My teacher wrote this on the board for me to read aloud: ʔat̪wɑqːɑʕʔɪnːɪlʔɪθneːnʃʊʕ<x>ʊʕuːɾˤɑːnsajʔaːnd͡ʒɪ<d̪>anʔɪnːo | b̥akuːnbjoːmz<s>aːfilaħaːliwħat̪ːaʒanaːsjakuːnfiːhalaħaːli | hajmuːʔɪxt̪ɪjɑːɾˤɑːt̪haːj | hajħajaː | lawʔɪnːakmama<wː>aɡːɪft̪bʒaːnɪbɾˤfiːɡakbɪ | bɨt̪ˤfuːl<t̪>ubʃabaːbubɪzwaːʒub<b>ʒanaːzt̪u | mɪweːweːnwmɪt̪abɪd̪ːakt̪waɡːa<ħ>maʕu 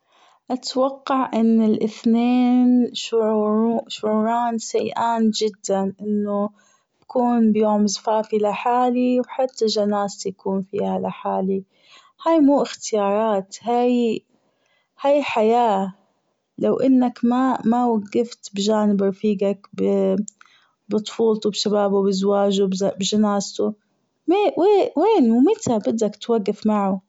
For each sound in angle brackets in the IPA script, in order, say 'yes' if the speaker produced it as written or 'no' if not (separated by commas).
no, no, no, no, yes, yes, no